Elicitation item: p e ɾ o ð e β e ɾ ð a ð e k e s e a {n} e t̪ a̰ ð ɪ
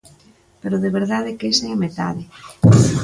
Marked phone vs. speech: incorrect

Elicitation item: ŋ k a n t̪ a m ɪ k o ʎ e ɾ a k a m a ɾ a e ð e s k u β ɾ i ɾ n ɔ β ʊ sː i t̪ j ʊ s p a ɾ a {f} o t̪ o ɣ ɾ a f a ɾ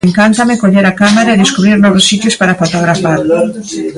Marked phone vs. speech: correct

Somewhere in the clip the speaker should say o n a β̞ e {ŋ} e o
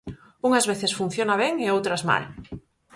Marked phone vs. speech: correct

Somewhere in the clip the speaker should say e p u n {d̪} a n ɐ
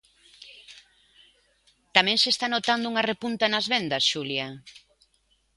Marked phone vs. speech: incorrect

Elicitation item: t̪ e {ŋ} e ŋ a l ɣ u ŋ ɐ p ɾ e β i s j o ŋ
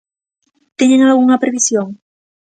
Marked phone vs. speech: incorrect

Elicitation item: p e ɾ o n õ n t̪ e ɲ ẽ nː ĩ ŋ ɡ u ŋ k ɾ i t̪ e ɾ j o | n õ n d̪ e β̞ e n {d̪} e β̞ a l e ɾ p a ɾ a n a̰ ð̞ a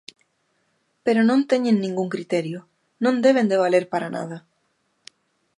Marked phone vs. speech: correct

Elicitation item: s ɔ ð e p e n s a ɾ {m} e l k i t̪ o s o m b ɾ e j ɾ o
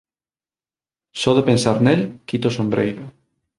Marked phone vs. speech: incorrect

